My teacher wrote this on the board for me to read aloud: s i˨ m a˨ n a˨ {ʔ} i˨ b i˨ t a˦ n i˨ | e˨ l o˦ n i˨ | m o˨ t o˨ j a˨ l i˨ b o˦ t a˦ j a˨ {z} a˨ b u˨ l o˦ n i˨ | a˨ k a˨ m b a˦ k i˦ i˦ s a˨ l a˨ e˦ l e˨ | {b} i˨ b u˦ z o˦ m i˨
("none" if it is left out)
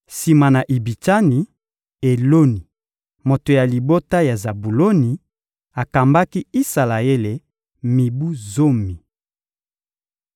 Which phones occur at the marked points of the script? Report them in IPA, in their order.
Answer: ʔ, z, m

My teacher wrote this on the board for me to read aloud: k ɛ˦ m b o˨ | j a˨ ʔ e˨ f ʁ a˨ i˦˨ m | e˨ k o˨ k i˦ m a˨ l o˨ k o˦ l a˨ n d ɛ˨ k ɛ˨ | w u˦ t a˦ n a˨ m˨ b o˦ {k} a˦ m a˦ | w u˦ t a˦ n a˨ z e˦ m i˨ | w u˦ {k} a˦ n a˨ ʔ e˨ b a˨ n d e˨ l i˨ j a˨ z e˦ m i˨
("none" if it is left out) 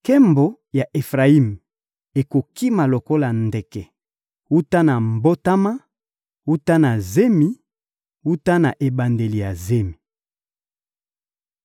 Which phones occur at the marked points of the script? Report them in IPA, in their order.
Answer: t, t

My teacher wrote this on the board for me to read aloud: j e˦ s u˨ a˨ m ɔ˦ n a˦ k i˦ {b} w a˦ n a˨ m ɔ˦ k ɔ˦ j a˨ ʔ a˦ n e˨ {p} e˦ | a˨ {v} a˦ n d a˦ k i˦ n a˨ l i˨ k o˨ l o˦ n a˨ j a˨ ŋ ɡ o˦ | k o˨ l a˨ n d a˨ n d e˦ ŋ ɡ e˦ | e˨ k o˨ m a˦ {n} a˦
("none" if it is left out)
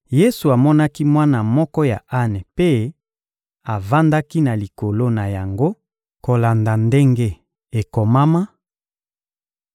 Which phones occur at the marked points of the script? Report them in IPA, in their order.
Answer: m, p, v, m

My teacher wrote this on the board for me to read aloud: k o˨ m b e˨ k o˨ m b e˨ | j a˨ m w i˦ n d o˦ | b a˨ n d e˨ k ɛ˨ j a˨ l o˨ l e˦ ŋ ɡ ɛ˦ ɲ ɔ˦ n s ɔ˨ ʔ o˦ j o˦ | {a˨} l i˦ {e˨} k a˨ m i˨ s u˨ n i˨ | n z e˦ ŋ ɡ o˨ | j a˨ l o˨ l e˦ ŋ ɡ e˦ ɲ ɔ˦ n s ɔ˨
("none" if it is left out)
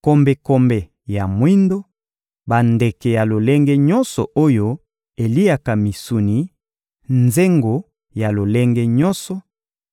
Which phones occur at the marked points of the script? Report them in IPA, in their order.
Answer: e˨, a˨

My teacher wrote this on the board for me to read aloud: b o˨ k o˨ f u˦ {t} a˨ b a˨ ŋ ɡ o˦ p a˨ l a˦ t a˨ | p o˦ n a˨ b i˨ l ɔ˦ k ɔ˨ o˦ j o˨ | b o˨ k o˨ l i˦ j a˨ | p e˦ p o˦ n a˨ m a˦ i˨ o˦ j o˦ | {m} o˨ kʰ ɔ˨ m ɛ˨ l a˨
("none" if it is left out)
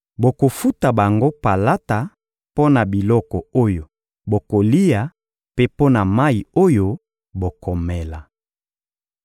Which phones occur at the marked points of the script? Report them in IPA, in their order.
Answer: t, b

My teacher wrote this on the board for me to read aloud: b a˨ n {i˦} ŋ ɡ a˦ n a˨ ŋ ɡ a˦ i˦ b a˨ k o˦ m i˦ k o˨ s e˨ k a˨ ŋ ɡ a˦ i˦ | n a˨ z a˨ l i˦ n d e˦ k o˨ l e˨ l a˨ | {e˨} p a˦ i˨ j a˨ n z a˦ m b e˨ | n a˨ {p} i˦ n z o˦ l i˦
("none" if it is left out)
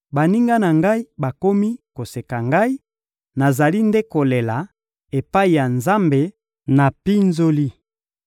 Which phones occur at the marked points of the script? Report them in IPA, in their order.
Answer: i˦, e˨, p

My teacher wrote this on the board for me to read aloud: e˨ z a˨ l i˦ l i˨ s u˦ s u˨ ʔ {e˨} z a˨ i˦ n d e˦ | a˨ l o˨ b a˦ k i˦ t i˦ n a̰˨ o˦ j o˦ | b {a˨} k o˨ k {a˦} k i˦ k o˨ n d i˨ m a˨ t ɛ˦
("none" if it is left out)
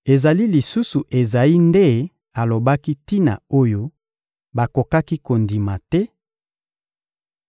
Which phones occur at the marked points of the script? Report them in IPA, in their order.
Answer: e˨, a˨, a˦

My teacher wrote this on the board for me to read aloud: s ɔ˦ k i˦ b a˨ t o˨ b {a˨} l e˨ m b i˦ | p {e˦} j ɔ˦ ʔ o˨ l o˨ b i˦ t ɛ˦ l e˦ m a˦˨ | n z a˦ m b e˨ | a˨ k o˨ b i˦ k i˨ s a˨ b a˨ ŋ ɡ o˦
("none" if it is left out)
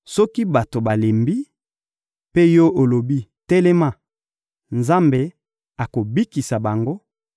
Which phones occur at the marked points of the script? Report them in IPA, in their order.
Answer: a˨, e˦

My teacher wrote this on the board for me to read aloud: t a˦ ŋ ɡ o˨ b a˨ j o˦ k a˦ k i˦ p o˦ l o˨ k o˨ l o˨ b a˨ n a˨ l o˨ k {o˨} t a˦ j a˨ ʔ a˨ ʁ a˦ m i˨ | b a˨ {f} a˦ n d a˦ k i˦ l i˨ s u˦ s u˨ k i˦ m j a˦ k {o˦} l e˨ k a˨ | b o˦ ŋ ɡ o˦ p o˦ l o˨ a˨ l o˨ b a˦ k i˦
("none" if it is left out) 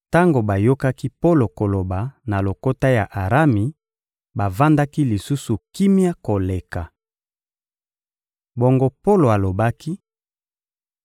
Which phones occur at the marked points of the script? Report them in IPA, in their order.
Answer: o˦, v, o˨

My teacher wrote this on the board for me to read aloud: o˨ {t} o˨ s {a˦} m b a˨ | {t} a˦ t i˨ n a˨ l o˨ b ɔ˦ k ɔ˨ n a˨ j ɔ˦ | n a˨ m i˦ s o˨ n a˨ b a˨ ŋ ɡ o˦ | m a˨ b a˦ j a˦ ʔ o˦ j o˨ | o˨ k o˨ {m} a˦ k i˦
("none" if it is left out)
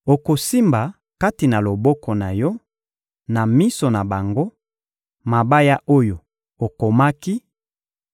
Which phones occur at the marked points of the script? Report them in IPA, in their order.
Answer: k, i˦, k, m

